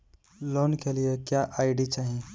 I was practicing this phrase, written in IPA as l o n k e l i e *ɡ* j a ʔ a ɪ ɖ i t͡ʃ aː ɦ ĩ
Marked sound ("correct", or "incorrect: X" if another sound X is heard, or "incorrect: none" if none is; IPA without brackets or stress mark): incorrect: k